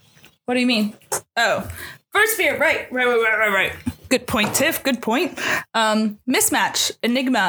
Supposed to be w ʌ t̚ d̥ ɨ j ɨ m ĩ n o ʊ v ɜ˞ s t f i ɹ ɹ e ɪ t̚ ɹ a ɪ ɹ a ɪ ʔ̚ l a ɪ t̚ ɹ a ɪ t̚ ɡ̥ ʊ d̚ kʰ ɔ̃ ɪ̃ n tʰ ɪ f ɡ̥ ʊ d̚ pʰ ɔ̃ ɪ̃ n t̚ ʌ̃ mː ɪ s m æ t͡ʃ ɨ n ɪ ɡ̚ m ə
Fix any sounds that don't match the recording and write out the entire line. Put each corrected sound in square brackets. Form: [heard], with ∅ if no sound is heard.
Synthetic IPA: w ʌ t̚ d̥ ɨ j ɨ m ĩ n o ʊ [f] ɜ˞ s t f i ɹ ɹ [a] ɪ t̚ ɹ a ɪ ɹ a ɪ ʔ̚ [ɹ] a ɪ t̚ ɹ a ɪ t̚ ɡ̥ ʊ d̚ [pʰ] ɔ̃ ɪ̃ n tʰ ɪ f ɡ̥ ʊ d̚ pʰ ɔ̃ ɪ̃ n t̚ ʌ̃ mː ɪ s m æ t͡ʃ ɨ n ɪ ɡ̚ m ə